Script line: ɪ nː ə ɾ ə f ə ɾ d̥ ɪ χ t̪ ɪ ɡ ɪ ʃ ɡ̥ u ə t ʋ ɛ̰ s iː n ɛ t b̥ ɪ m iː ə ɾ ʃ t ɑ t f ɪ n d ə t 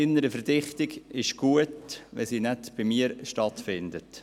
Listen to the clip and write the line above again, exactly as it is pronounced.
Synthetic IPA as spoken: ɪ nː ə ɾ ə f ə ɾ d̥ ɪ χ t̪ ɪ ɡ ɪ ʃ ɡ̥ u ə t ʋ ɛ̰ s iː n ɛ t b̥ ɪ m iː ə ɾ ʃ t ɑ t f ɪ n d ə t